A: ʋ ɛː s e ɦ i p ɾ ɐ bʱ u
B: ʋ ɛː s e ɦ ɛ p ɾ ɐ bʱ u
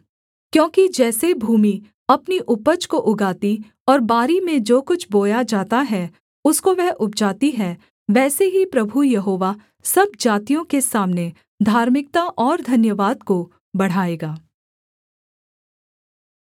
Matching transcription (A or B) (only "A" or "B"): A